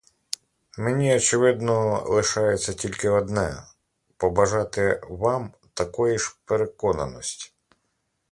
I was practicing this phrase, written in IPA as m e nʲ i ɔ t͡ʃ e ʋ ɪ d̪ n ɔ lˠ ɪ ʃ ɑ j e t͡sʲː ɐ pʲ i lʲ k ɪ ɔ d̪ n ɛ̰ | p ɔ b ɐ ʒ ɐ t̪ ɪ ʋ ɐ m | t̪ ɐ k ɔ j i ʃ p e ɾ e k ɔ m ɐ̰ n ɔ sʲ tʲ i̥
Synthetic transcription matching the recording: m e nʲ i ɔ t͡ʃ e ʋ ɪ d̪ n ɔ lˠ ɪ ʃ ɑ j e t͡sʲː ɐ tʲ i lʲ k ɪ ɔ d̪ n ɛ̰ | p ɔ b ɐ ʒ ɑ t̪ ɪ ʋ ɑ m | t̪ ɐ k ɔ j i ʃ p e ɾ e k ɔ n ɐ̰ n ɔ sʲ tʲ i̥